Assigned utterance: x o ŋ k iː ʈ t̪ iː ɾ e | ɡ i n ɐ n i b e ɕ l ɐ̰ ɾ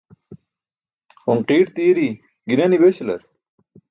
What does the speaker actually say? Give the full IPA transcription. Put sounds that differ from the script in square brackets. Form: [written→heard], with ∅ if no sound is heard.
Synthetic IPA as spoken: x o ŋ [k→q] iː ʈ t̪ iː ɾ [e→i] | ɡ i n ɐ n i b e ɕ l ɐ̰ ɾ